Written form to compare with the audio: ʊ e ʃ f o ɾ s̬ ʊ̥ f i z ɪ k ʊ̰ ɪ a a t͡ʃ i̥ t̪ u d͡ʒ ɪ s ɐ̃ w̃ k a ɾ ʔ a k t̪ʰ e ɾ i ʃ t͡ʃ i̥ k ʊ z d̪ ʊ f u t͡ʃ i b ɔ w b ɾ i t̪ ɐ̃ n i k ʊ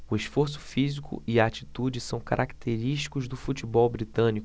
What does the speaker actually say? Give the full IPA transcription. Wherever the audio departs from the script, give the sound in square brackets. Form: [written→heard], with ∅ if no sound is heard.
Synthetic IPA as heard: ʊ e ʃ f o ɾ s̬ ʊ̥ f i z [ɪ→i] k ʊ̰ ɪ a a t͡ʃ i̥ t̪ u d͡ʒ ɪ s ɐ̃ w̃ k a ɾ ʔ a k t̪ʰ e ɾ i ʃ t͡ʃ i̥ k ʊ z d̪ ʊ f u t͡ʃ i b ɔ w b ɾ i t̪ ɐ̃ n i k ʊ